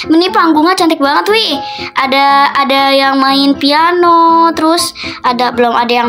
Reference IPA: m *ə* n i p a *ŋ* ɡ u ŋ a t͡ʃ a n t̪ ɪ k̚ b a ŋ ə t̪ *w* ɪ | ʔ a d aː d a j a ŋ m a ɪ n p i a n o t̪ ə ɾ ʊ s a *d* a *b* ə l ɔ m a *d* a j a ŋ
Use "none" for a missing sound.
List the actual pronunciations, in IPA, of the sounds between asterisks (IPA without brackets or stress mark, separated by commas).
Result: ə, ŋ, w, d, b, d